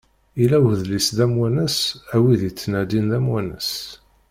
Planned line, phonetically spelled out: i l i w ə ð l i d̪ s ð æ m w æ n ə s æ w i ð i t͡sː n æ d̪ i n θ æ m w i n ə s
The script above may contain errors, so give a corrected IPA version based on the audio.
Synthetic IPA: i l æ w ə ð l i s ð æ m w æ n ə s æ w i ð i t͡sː n æ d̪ i n ð æ m w æ n ə s